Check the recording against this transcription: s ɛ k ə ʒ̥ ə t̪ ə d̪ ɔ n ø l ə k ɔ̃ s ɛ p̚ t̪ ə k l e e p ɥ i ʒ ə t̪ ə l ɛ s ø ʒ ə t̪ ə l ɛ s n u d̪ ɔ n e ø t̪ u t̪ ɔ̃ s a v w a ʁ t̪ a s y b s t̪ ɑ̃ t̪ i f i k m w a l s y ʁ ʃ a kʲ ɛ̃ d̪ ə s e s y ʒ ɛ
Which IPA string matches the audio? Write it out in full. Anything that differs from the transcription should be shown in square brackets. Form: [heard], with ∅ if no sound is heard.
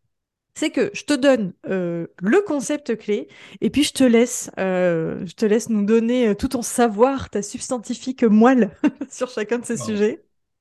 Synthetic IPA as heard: s ɛ k ə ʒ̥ ə t̪ ə d̪ ɔ n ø l ə k ɔ̃ s ɛ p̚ t̪ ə k l e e p ɥ i ʒ ə t̪ ə l ɛ s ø ʒ ə t̪ ə l ɛ s n u d̪ ɔ n e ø t̪ u t̪ ɔ̃ s a v w a ʁ t̪ a s y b s t̪ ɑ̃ t̪ i f i k m w a l s y ʁ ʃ a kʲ ɛ̃ d̪ ə s e s y ʒ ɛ